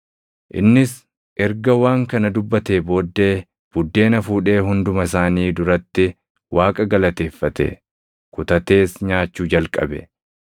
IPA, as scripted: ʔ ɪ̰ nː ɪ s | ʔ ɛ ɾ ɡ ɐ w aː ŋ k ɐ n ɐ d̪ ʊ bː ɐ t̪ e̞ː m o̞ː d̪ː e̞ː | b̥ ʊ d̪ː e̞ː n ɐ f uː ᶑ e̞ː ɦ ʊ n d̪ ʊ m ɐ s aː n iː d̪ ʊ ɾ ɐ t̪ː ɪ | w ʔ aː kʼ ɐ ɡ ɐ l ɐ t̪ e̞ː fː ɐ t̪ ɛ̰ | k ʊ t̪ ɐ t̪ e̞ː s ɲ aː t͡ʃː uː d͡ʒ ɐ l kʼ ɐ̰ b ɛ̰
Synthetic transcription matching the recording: ʔ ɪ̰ nː ɪ s | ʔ ɛ ɾ ɡ ɐ w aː ŋ k ɐ n ɐ d̪ ʊ bː ɐ t̪ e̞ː b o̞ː d̪ː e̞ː | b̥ ʊ d̪ː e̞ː n ɐ f uː ᶑ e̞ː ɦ ʊ n d̪ ʊ m ɐ s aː n iː d̪ ʊ ɾ ɐ t̪ː ɪ | w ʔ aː kʼ ɐ ɡ ɐ l ɐ t̪ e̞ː fː ɐ t̪ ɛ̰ | k ʊ t̪ ɐ t̪ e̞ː s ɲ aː t͡ʃː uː d͡ʒ ɐ l kʼ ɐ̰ b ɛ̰